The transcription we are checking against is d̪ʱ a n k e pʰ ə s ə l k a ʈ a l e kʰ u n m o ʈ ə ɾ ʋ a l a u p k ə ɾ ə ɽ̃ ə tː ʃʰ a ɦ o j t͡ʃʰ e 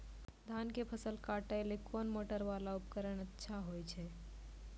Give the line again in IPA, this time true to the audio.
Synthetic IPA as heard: d̪ʱ a n k e pʰ ə s ə l k a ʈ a l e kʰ o n m o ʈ ə ɾ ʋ a l a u p k ə ɾ ə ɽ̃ ə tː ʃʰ a ɦ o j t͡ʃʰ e

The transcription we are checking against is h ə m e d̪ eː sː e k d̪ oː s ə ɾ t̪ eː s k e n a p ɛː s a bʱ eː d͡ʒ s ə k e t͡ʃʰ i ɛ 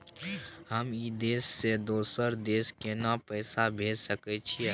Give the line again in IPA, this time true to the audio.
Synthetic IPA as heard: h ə m i d̪ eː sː e d̪ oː s ə ɾ d̪ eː s k e n a p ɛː s a bʱ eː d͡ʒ s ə k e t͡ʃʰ i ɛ

